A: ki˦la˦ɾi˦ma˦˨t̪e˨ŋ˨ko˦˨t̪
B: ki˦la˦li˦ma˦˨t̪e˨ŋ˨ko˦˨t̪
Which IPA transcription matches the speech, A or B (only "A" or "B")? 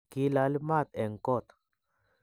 B